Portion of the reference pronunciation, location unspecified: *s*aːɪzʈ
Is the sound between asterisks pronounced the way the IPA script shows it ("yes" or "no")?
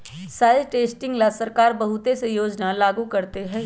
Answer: yes